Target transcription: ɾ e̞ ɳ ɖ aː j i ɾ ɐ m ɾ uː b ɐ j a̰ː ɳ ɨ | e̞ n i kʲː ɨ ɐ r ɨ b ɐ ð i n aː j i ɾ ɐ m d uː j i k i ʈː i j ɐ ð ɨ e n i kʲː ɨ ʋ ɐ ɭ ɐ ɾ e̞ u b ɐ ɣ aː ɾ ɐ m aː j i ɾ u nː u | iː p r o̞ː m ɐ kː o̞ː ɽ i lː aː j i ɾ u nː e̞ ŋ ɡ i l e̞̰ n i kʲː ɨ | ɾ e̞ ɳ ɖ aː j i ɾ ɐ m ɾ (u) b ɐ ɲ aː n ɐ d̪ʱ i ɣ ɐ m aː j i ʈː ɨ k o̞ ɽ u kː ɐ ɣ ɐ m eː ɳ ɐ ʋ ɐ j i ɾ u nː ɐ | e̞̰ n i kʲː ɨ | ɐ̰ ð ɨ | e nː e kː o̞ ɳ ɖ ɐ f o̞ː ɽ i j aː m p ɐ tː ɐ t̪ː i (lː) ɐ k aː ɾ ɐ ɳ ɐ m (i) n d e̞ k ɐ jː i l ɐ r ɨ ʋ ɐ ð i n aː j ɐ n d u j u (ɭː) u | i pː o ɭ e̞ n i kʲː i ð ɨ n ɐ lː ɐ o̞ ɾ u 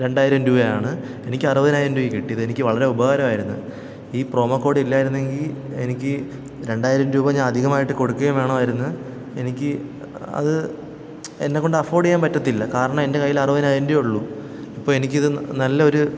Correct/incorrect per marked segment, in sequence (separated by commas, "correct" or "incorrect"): incorrect, correct, incorrect, correct